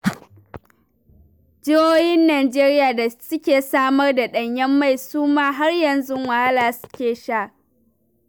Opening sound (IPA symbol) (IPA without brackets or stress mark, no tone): d͡ʒ